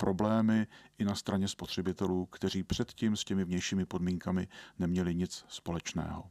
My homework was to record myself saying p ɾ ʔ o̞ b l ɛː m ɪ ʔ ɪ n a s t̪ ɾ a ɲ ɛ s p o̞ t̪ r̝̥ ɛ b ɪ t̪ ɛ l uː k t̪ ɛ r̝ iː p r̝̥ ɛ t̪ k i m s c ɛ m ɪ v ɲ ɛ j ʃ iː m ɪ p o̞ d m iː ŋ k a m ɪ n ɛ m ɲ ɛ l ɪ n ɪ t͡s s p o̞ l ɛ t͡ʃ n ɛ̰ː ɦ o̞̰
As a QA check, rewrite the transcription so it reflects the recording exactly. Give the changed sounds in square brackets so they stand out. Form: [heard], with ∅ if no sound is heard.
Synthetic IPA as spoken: p ɾ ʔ o̞ b l ɛː m ɪ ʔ ɪ n a s t̪ ɾ a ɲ ɛ s p o̞ t̪ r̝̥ ɛ b ɪ t̪ ɛ l uː k t̪ ɛ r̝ iː p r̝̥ ɛ t̪ [c] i m s c ɛ m ɪ v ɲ ɛ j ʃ iː m ɪ p o̞ d m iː ŋ k a m ɪ n ɛ m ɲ ɛ l ɪ [ɲ] ɪ t͡s s p o̞ l ɛ t͡ʃ n ɛ̰ː ɦ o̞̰